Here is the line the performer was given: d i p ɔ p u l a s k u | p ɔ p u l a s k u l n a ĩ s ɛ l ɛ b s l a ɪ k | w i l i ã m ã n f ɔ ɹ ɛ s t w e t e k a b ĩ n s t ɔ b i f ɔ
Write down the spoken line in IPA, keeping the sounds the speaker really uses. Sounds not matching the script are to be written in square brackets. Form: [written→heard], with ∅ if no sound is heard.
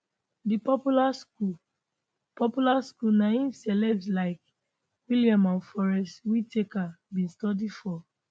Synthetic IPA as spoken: d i p ɔ p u l a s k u | p ɔ p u l a s k u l n a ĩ s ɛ l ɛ b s l a ɪ k | w i l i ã m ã n f ɔ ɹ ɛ s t w [e→i] t e k a b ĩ n s t ɔ [b→d] i f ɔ